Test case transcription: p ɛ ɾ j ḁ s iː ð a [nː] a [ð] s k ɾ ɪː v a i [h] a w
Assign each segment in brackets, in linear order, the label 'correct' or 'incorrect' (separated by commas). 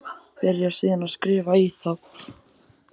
incorrect, correct, incorrect